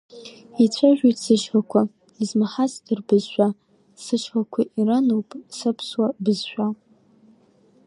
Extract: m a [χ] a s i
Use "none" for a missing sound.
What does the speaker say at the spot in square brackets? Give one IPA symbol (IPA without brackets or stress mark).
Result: ħ